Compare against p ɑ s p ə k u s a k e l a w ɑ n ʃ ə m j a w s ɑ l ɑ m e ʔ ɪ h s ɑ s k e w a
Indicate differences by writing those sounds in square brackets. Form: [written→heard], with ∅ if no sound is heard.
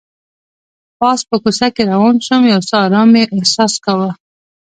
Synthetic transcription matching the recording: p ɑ s p ə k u s a k e [l→ɾ] a w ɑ n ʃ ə m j a w s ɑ [l→ɾ] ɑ m e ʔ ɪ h s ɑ s k [e→a] w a